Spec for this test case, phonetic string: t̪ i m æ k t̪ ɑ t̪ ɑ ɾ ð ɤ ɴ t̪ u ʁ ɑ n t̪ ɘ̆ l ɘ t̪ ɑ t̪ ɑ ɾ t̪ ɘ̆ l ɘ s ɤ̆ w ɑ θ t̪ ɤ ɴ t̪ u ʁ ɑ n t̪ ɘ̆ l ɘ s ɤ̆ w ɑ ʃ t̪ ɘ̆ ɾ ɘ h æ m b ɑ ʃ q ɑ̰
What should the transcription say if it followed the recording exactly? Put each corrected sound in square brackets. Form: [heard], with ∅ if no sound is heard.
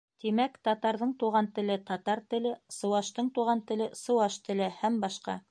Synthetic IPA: t̪ i m æ k t̪ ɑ t̪ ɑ ɾ ð ɤ ɴ t̪ u ʁ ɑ n t̪ ɘ̆ l ɘ t̪ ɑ t̪ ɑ ɾ t̪ ɘ̆ l ɘ s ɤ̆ w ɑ [ʃ] t̪ ɤ ɴ t̪ u ʁ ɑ n t̪ ɘ̆ l ɘ s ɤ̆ w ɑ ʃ t̪ ɘ̆ [l] ɘ h æ m b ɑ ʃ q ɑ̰

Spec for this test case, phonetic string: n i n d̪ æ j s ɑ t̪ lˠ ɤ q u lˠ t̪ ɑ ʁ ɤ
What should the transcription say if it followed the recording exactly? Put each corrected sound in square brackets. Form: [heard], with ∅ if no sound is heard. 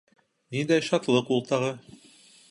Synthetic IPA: n i n d̪ æ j [ʃ] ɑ t̪ lˠ ɤ q u lˠ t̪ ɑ ʁ ɤ

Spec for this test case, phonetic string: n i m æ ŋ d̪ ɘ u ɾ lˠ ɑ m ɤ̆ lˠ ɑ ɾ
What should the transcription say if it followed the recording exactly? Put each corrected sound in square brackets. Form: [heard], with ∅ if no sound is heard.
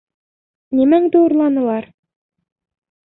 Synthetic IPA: n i m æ ŋ d̪ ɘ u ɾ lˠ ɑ [n] ɤ̆ lˠ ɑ ɾ

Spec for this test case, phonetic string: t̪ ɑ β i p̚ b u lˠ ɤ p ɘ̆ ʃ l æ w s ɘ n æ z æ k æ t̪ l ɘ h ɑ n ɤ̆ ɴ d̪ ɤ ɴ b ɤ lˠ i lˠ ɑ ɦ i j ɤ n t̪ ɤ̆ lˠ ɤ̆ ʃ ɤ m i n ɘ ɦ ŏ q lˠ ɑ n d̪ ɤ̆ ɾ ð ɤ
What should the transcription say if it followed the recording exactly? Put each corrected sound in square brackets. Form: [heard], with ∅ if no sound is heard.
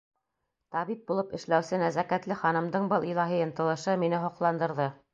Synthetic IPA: t̪ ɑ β i p̚ b u lˠ ɤ p ɘ̆ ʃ l æ w s ɘ n æ z æ k æ t̪ l ɘ [χ] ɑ n ɤ̆ [m] d̪ ɤ ɴ b ɤ lˠ i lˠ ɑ ɦ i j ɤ n t̪ ɤ̆ lˠ ɤ̆ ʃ ɤ m i n ɘ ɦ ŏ q lˠ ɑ n d̪ ɤ̆ ɾ ð ɤ

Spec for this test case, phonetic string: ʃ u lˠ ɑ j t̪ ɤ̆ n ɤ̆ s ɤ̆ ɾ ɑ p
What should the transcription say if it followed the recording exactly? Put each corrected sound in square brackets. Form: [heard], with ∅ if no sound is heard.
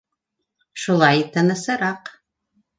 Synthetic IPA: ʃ u lˠ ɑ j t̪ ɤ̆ n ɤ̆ s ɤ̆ ɾ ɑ [q]

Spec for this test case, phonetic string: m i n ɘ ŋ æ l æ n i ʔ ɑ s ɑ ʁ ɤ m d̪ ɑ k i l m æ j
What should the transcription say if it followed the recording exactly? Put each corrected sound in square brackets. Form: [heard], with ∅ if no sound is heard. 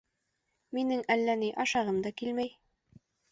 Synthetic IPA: m i n ɘ ŋ æ [lː] æ n i ʔ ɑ [ʃ] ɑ ʁ ɤ m d̪ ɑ k i l m æ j

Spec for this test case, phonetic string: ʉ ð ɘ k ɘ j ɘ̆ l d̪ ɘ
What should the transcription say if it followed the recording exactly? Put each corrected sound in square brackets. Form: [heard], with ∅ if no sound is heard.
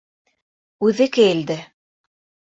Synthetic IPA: ʉ ð ɘ k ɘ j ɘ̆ l d̪ ɘ

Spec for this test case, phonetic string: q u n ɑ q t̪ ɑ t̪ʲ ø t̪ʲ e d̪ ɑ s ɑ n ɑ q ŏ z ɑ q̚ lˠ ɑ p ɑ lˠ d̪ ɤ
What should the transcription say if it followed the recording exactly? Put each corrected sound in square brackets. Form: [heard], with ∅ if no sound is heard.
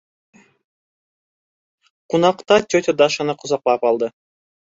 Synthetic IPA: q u n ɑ q t̪ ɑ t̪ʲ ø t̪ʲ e d̪ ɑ [ʃ] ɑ n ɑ q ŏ z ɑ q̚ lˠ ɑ p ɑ lˠ d̪ ɤ

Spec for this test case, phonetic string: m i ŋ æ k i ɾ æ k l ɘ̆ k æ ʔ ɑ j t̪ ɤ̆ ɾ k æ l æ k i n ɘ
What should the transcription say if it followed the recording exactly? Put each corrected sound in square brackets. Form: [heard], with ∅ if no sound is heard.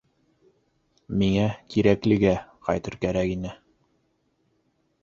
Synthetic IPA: m i ŋ æ k i ɾ æ k l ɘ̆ [ɡ] æ [q] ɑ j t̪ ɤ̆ ɾ k æ [ɾ] æ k i n ɘ

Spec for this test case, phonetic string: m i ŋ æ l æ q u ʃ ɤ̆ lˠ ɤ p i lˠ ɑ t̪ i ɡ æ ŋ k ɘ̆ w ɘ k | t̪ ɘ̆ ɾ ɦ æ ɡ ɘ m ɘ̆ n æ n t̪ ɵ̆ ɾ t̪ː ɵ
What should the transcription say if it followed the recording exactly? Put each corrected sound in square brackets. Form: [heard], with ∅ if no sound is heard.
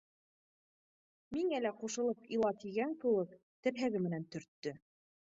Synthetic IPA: m i ŋ æ l æ q u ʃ ɤ̆ lˠ ɤ p i lˠ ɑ t̪ i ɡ æ ŋ k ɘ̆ w ɘ k | t̪ ɘ̆ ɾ ɦ æ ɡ ɘ m ɘ̆ n æ n t̪ ɵ̆ ɾ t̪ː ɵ

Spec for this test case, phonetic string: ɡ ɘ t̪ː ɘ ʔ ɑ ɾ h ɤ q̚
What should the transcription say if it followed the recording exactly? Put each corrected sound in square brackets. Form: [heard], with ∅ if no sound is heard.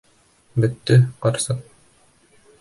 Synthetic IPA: [b] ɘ t̪ː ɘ [q] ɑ ɾ [s] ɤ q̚

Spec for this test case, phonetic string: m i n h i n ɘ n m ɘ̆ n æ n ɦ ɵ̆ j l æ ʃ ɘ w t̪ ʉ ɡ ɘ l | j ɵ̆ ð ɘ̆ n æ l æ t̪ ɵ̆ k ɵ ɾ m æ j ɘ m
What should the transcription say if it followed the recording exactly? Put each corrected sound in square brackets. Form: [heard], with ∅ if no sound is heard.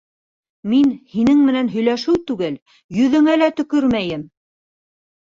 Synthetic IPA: m i n h i n ɘ [ŋ] m ɘ̆ n æ n ɦ ɵ̆ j l æ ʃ ɘ w t̪ ʉ ɡ ɘ l | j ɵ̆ ð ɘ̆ [ŋ] æ l æ t̪ ɵ̆ k ɵ ɾ m æ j ɘ m

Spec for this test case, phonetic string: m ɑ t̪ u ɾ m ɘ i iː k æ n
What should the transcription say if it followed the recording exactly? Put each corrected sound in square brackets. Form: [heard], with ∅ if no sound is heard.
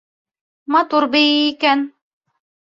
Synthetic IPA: m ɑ t̪ u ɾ [b] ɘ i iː k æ n

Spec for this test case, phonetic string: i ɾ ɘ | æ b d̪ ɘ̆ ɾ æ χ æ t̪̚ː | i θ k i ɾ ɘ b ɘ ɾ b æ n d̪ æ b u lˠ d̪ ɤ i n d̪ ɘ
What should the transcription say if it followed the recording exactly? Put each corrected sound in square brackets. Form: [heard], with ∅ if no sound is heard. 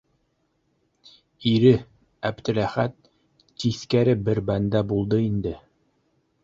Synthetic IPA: i ɾ ɘ | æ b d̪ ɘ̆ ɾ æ χ æ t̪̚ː | i θ k [æ] ɾ ɘ b ɘ ɾ b æ n d̪ æ b u lˠ d̪ ɤ i n d̪ ɘ

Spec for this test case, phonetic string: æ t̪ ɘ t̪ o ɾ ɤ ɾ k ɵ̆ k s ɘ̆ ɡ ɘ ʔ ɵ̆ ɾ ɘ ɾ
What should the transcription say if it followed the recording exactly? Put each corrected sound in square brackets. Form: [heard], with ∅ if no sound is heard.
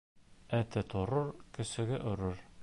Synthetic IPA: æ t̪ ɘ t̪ o ɾ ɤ ɾ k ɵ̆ [∅] s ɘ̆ ɡ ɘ ʔ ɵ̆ ɾ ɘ ɾ

